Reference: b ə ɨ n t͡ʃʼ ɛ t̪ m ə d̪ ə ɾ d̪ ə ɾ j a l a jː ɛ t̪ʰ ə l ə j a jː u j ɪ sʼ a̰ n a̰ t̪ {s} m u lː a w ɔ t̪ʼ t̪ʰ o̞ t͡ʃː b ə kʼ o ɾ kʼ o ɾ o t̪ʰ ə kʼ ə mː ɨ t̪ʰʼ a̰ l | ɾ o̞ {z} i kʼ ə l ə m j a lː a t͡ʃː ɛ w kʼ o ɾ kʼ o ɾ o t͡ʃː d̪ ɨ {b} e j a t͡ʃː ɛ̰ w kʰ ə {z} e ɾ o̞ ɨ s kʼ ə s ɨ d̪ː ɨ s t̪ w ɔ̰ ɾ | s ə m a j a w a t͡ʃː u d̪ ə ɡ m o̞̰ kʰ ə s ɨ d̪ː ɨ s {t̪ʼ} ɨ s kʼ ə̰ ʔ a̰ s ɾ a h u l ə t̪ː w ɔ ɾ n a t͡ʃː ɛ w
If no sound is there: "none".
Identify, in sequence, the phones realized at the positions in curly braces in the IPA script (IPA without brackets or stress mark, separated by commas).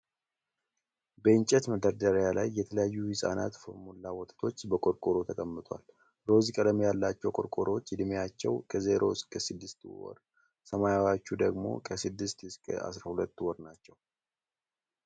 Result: f, z, m, z, t̪